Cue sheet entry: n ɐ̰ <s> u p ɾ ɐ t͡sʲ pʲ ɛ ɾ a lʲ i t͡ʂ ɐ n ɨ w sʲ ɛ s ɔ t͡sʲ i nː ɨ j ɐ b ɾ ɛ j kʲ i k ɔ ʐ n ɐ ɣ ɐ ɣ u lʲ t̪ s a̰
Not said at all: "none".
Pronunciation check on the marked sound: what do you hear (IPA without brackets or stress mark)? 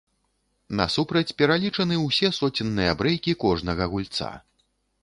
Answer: s